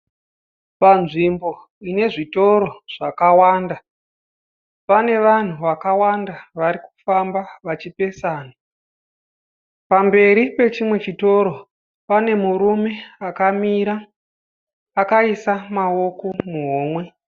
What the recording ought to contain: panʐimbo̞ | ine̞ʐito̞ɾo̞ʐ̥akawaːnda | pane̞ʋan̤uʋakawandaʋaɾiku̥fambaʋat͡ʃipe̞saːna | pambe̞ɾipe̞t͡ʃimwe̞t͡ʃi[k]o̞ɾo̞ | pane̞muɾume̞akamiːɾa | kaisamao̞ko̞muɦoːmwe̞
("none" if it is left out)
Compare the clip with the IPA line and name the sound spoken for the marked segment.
t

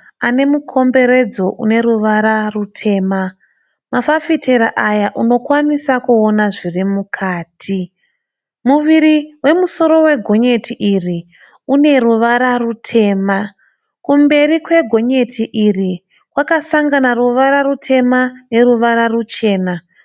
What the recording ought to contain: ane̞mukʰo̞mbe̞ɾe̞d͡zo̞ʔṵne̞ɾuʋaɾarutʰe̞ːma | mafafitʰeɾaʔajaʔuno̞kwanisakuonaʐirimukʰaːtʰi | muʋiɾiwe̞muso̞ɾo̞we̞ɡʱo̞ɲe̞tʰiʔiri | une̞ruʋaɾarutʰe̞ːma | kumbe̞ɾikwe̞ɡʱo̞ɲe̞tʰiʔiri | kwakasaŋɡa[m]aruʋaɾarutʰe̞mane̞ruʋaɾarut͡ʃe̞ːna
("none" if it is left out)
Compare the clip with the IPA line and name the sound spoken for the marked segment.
n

